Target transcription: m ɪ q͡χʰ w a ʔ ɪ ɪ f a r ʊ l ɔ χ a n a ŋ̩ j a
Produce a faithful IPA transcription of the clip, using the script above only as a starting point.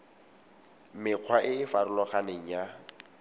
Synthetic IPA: m ɪ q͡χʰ w a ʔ ɪ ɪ f a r ʊ l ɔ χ a n e ŋ̩ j a